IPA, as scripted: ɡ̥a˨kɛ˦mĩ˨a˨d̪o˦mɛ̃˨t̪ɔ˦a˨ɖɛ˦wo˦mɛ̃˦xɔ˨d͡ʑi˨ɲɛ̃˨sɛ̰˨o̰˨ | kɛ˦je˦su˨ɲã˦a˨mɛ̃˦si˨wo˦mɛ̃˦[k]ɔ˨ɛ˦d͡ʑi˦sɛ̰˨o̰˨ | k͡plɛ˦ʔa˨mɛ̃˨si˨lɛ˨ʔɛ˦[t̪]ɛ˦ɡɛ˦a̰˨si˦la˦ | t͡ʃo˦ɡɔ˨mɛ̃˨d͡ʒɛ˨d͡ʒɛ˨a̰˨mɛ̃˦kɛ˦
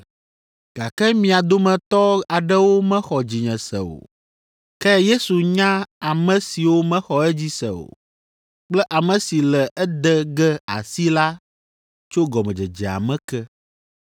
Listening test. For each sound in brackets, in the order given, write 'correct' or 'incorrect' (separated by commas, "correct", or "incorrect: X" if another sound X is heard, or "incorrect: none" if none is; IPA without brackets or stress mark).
incorrect: x, incorrect: d̪